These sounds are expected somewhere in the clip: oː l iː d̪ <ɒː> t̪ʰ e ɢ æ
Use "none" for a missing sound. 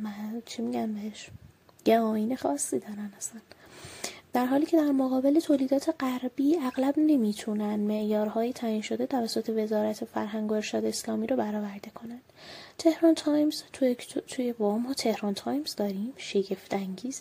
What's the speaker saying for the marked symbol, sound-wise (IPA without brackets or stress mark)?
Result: ɒː